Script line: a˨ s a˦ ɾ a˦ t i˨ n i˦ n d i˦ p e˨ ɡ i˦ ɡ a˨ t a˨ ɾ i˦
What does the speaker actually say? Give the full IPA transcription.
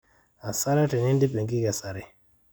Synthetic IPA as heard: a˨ s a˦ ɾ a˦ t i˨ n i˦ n d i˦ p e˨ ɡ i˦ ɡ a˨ s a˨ ɾ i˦